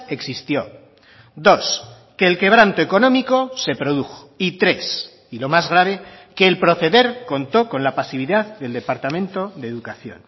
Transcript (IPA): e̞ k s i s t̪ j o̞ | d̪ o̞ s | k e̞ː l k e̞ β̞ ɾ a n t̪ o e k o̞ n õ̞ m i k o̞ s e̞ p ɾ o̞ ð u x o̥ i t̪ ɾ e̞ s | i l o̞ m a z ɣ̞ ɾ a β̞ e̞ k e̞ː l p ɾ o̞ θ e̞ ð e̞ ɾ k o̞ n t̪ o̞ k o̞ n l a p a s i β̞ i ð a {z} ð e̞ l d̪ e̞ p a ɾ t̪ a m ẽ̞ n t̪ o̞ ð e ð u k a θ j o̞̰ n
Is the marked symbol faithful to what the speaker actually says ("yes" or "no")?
no